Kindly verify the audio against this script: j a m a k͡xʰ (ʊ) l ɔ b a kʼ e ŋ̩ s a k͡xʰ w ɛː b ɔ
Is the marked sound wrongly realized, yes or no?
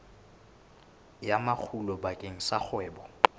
yes